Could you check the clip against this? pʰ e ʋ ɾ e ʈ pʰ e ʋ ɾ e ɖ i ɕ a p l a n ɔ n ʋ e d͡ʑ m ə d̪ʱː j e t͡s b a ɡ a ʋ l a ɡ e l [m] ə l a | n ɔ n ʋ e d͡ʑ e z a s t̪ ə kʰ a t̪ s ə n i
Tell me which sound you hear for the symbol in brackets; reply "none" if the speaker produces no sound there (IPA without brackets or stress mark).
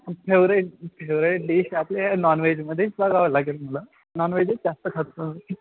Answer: m